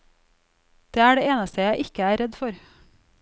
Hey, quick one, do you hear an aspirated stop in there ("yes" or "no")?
no